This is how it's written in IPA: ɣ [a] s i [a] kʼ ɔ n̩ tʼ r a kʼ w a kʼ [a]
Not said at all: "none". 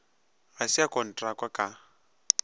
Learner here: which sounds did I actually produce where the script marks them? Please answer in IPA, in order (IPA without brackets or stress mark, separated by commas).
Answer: a, a, a